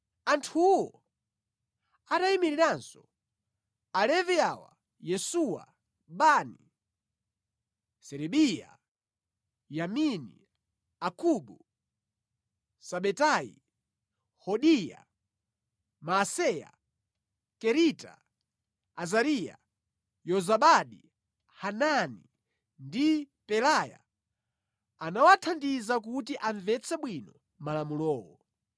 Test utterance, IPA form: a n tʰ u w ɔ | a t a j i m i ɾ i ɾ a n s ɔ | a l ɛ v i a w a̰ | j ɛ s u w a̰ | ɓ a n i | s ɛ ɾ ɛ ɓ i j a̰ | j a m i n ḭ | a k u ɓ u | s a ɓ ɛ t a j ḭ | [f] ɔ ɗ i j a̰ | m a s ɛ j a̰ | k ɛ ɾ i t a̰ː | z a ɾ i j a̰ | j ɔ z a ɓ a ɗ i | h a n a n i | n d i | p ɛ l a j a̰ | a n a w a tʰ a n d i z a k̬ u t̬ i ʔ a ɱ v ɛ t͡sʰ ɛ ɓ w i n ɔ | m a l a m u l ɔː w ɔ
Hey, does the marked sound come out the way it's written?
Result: no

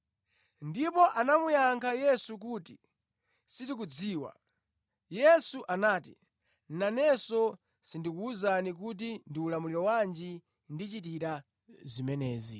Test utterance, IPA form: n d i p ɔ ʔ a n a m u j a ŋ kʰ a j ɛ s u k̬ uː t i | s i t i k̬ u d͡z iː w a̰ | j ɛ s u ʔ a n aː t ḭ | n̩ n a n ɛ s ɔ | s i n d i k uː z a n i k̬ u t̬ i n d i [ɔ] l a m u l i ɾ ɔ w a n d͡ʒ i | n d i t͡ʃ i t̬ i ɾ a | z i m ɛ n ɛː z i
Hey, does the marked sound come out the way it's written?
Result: no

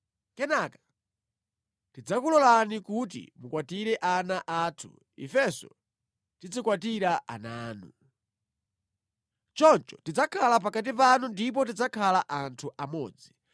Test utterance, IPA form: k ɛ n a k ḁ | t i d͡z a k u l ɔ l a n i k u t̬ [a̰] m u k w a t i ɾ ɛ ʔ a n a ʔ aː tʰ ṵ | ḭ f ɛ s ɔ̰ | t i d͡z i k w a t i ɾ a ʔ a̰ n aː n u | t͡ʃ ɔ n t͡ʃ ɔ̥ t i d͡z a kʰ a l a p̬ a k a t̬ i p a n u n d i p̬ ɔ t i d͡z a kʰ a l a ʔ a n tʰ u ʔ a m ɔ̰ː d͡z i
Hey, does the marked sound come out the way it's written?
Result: no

